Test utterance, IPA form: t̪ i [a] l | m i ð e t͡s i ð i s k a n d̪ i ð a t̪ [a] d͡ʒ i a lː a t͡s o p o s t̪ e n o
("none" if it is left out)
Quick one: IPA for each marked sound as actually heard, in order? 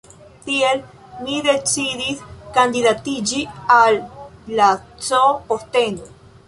e, i

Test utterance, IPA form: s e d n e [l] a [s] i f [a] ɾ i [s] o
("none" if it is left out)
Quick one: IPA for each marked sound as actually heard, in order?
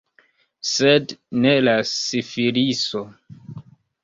l, s, i, s

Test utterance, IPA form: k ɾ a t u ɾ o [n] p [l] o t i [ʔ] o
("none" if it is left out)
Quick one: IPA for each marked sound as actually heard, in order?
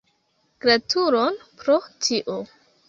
n, ɾ, ʔ

